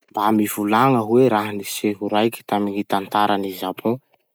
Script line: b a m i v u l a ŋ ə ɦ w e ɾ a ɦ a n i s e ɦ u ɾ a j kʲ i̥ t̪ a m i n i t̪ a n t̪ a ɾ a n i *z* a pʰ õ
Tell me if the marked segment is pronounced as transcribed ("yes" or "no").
yes